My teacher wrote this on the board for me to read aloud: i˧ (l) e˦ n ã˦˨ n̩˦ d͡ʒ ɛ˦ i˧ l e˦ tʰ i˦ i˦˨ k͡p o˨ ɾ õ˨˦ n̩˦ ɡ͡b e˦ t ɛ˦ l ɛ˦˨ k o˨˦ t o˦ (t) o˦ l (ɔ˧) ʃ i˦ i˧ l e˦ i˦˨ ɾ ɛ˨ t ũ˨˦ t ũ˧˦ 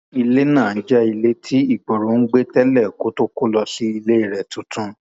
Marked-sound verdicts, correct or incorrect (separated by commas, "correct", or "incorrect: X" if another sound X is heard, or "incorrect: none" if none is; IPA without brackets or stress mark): correct, incorrect: k, correct